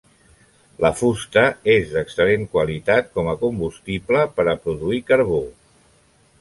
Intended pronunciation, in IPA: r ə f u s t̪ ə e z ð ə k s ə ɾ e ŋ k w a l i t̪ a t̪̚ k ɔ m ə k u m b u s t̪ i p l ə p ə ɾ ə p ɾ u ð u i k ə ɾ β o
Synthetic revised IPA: l ə f u s t̪ ə e z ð ə k s ə l e ŋ k w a l i t̪ a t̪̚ k ɔ m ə k u m b u s t̪ i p l ə p ə ɾ ə p ɾ u ð u i k ə ɾ β o